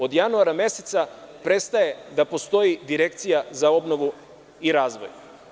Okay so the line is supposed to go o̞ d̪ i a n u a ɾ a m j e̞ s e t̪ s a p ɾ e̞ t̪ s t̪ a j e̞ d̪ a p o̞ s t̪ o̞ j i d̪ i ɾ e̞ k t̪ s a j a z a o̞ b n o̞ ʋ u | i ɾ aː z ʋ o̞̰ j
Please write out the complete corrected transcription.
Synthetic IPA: o̞ d̪ j a n u a ɾ a m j e̞ s e t̪ s a p ɾ e̞ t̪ s t̪ a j e̞ d̪ a p o̞ s t̪ o̞ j i d̪ i ɾ e̞ k t̪ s i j a z a o̞ b n o̞ ʋ u | i ɾ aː z ʋ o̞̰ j